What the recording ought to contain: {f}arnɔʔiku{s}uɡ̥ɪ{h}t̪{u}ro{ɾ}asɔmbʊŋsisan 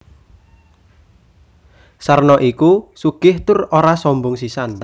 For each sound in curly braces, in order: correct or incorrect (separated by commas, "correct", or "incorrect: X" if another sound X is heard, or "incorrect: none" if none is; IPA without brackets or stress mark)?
incorrect: s, correct, correct, incorrect: ʊ, correct